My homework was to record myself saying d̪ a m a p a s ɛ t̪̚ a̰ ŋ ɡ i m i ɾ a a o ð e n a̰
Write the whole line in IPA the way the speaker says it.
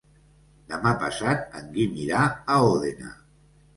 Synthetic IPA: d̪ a m a p a s a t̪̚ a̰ ŋ ɡ i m i ɾ a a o ð e n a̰